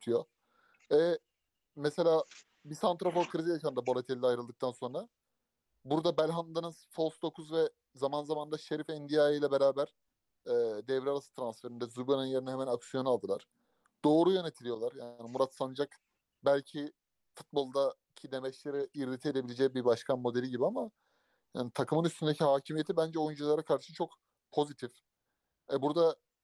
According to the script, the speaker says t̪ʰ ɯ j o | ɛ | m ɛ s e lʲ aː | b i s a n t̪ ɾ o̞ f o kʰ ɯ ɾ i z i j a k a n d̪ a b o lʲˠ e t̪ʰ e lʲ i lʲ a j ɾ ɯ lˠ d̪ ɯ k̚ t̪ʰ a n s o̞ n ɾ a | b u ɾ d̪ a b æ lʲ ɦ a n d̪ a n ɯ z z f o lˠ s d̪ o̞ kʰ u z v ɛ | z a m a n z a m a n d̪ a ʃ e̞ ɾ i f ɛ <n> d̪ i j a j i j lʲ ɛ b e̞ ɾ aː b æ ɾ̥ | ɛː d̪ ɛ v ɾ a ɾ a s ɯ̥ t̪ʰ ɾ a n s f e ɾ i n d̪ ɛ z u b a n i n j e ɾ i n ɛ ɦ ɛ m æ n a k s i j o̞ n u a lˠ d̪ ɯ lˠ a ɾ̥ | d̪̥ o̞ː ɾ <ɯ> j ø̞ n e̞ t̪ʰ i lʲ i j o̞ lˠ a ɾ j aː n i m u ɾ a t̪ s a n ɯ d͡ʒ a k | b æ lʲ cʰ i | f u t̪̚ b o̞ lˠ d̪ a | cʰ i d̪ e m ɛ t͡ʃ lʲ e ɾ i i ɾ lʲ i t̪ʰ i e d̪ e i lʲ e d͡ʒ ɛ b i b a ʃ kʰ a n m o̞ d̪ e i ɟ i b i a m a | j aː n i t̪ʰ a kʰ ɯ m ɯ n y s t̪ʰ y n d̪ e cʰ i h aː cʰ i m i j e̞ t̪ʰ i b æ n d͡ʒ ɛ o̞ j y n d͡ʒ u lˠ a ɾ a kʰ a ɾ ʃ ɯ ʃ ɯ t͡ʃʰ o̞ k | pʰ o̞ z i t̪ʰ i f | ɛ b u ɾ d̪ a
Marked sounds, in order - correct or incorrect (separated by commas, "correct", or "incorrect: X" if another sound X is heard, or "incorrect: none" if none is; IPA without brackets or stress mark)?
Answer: correct, incorrect: u